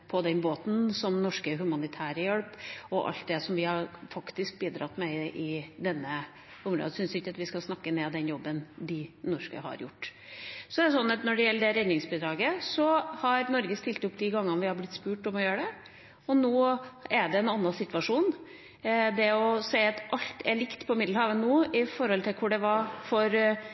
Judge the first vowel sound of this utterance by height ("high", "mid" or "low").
mid